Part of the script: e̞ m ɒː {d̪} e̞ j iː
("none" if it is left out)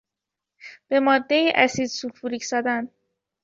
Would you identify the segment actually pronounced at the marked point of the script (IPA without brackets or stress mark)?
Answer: d̪ː